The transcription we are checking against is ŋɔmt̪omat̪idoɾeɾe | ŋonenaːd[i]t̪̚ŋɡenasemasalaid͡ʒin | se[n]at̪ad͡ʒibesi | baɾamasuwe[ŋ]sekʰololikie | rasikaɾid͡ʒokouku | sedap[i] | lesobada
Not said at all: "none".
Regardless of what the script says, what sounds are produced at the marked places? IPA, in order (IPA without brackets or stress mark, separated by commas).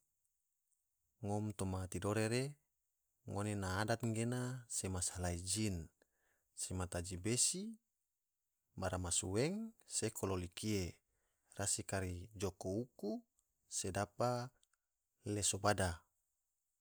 a, m, ŋ, a